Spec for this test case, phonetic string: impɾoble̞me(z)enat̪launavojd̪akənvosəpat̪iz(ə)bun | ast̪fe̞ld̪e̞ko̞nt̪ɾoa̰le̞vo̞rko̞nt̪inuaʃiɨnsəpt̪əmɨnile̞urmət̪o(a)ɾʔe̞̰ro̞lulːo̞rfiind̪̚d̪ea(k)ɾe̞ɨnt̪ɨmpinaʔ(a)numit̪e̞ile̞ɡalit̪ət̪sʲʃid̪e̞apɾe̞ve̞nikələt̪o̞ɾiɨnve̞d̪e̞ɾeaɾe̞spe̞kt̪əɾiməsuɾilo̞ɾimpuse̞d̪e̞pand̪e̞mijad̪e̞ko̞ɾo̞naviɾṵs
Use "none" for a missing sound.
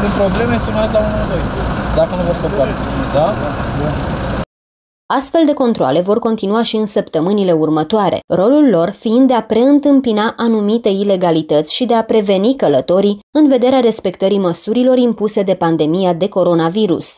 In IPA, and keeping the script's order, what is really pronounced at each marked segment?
s, a, a, p, a

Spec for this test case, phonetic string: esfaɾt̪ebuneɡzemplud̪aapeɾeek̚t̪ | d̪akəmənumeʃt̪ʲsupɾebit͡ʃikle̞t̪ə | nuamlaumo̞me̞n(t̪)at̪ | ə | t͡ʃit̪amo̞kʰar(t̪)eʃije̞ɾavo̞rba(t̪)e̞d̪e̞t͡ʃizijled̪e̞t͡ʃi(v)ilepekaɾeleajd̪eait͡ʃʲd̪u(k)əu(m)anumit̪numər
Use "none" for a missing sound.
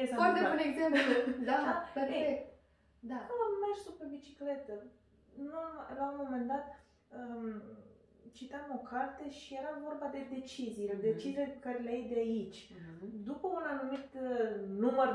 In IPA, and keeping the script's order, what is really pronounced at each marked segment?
d̪, t̪, d̪, z, p, n

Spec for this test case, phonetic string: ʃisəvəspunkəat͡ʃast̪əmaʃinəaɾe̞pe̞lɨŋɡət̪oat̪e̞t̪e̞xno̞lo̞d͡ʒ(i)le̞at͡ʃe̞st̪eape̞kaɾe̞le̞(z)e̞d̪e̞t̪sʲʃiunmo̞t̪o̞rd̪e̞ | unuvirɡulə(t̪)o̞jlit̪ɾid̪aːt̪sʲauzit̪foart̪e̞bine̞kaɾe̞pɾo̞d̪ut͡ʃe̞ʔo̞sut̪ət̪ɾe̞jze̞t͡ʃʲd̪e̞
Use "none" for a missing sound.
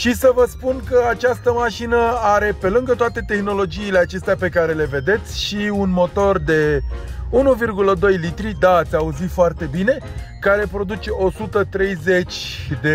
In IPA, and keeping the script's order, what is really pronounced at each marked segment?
iː, v, d̪

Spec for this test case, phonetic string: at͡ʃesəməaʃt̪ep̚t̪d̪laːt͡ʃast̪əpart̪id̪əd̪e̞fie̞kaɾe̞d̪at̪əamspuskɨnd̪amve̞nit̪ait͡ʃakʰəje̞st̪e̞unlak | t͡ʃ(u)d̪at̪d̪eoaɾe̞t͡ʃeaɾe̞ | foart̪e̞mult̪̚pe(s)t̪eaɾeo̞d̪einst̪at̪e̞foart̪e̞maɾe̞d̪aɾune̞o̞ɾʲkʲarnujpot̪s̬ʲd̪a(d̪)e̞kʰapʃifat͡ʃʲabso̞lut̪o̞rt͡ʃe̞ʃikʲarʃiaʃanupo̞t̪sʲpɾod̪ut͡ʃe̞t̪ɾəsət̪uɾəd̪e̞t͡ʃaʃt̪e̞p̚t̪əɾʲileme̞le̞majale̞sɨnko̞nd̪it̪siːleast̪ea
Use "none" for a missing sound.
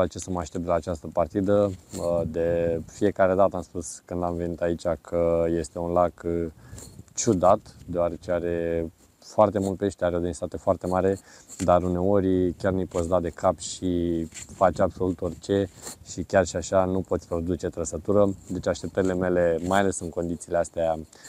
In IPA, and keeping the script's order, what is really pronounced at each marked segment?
u, ʃ, d̪

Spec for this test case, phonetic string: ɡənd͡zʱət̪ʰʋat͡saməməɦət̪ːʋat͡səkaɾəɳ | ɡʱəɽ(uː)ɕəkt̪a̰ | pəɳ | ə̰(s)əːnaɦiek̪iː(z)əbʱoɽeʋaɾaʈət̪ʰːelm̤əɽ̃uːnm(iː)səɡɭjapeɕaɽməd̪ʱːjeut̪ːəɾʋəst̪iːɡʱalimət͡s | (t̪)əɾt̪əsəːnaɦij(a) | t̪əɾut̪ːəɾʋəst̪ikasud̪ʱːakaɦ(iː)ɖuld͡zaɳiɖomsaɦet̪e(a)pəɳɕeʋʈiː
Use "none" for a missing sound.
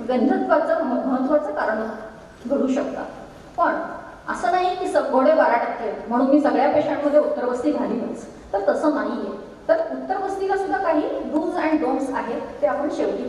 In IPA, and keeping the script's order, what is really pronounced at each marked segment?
uː, s, s, iː, t̪, e, iː, a

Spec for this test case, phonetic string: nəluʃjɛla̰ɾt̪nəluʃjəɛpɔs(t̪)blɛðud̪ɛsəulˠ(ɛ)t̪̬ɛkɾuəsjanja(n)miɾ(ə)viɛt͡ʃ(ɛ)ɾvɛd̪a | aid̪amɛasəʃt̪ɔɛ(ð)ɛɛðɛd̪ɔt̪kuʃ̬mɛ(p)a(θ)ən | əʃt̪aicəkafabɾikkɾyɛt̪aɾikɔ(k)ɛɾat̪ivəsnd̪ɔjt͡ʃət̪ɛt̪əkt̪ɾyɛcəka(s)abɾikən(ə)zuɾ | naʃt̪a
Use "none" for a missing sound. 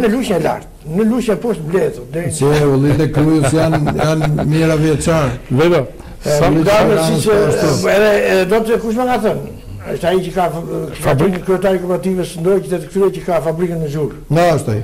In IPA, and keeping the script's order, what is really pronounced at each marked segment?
t̪, i, n, a, a, ð, k, θ, p, f, ə

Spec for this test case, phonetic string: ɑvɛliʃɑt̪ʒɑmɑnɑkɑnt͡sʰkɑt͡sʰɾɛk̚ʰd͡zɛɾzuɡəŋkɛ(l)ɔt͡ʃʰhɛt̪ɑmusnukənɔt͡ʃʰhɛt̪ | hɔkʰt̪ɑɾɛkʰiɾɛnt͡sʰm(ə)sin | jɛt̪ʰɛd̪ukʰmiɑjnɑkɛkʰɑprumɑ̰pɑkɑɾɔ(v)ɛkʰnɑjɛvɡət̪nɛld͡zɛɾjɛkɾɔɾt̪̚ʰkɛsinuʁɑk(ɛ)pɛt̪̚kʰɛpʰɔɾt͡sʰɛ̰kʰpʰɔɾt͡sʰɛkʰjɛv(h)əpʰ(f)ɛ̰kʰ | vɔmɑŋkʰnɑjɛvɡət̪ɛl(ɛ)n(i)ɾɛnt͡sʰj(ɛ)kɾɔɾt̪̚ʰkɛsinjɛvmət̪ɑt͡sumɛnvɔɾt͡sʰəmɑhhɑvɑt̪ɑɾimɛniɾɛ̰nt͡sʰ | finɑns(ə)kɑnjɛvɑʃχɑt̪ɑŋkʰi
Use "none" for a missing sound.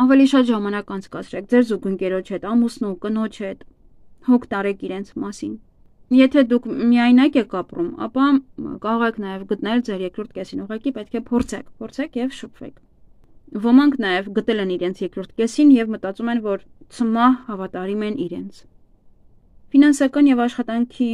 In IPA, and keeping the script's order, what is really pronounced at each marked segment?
ɾ, ɑ, ʁ, i, ʃ, v, ɛ, i, ɛ, ɑ

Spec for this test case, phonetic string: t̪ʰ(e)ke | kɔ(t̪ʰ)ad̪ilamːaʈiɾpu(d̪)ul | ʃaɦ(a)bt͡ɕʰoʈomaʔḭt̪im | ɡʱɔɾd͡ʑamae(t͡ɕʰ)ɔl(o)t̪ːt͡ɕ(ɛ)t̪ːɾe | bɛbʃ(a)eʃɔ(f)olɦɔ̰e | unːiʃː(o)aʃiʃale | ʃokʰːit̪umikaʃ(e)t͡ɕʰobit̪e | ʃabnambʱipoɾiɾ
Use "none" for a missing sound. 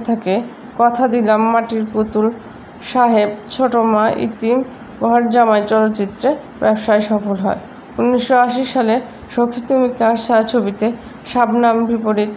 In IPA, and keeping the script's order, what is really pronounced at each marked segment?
a, t̪ʰ, t̪, e, t͡ɕ, o, i, a, f, o, a

